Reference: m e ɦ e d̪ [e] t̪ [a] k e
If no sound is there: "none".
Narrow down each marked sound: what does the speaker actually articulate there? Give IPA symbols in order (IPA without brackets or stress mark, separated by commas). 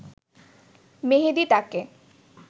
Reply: i, a